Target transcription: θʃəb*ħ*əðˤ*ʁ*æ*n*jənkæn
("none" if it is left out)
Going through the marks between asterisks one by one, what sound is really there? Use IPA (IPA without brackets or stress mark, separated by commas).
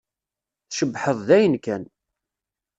ħ, ð, none